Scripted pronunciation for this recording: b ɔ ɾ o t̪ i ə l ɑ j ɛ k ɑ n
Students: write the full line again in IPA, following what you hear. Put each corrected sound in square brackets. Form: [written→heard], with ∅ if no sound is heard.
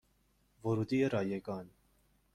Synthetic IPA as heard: [b→v] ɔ ɾ [o→u] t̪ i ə [l→ɾ] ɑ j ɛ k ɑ n